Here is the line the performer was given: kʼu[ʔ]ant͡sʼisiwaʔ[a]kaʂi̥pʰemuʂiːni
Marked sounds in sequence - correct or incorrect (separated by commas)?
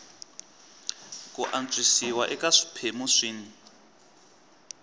correct, incorrect